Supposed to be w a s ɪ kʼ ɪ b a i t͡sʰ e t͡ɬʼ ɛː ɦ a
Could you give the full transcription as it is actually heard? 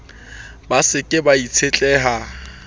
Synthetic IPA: b a s ɪ kʼ ɪ b a i t͡sʰ e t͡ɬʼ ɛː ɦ a